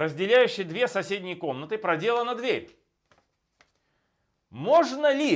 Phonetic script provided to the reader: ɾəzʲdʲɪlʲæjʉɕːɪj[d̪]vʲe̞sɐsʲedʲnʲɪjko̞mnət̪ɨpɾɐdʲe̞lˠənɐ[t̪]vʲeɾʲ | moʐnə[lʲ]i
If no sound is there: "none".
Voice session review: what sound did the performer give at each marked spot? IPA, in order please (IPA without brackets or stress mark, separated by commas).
d̪, d̪, lʲ